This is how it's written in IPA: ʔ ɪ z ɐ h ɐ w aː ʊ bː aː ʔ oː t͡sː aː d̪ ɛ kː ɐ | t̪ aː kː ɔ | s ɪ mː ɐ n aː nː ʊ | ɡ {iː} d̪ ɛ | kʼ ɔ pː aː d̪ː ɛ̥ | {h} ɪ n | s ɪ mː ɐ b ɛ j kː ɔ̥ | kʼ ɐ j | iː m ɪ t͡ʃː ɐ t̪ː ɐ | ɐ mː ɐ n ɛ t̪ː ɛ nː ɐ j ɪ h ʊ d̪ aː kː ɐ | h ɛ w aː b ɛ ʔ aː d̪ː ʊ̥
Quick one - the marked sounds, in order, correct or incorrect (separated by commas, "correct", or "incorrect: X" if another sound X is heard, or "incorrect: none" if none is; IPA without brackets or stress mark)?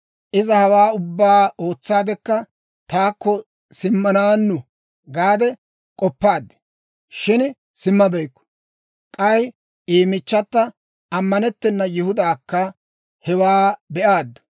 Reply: incorrect: aː, incorrect: ʃ